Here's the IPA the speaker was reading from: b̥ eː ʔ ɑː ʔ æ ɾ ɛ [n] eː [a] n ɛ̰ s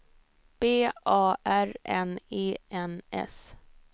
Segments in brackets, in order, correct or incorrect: correct, incorrect: ɛ

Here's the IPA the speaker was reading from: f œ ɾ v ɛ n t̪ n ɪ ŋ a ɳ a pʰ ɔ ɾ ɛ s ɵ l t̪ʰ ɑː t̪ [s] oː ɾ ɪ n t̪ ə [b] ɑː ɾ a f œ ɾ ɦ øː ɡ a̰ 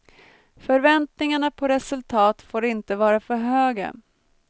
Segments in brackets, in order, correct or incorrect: incorrect: f, incorrect: v

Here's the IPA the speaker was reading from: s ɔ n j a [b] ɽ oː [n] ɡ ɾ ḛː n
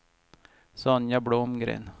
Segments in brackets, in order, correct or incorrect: correct, incorrect: m

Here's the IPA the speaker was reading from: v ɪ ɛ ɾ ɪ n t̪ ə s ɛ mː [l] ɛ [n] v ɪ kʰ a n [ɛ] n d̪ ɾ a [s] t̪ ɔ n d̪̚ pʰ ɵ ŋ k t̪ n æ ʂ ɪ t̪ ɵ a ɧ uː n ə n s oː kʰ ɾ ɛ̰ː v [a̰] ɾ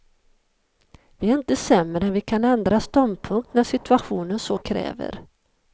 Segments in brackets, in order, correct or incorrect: incorrect: ɾ, correct, correct, correct, incorrect: ə̰

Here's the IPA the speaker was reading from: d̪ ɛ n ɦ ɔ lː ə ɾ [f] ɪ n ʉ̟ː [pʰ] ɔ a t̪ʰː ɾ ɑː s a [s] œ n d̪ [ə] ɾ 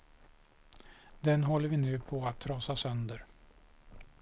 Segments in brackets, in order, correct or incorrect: incorrect: v, correct, correct, correct

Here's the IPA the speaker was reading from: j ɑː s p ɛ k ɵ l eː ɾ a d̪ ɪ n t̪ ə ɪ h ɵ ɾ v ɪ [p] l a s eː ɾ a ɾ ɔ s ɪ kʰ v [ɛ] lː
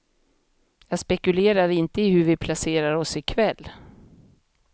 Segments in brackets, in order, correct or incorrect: incorrect: pʰ, correct

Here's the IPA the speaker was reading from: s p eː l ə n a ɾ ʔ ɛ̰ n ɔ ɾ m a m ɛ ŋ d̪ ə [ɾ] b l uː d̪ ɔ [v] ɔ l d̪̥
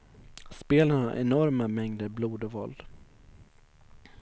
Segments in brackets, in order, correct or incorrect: correct, correct

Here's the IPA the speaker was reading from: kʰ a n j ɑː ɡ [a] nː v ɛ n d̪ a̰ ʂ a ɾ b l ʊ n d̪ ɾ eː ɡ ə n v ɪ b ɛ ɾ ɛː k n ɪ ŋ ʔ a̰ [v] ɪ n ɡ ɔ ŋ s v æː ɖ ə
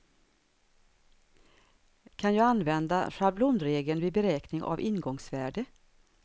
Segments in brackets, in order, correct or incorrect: correct, correct

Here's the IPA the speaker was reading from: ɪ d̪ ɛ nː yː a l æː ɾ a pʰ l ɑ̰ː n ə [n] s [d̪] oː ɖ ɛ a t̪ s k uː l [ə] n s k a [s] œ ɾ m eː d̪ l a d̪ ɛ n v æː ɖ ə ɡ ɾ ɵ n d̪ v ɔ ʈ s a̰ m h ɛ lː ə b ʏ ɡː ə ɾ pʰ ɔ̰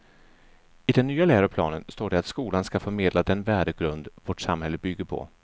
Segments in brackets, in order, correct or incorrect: correct, incorrect: t̪, incorrect: a, incorrect: f

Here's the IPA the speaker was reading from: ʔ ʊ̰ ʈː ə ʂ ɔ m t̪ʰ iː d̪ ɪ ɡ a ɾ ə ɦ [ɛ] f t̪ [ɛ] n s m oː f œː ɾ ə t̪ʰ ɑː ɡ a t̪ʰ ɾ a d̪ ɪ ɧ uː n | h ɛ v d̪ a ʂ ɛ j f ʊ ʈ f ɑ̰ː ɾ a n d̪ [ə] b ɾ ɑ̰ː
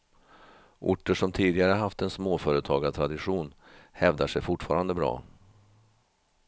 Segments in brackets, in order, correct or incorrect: incorrect: a, correct, correct

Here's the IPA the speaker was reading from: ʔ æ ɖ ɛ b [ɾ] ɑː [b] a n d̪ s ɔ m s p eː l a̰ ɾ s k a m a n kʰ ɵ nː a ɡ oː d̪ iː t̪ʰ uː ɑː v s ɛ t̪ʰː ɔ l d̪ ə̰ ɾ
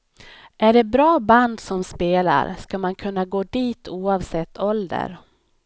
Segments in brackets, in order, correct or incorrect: correct, correct

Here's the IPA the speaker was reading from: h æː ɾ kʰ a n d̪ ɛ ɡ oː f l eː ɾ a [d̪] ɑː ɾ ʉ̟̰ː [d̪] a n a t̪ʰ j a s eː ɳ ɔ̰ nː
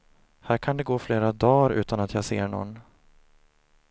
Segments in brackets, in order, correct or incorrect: correct, incorrect: t̪

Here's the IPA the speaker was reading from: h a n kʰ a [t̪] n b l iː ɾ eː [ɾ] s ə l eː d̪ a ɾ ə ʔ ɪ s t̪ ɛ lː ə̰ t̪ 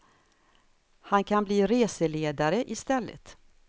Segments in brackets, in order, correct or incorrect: incorrect: none, incorrect: none

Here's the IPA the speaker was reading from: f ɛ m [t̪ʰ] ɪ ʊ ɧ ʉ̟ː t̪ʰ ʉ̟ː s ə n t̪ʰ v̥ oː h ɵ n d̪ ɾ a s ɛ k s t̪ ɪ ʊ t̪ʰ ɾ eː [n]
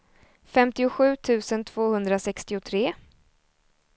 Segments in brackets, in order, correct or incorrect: incorrect: t̪, incorrect: none

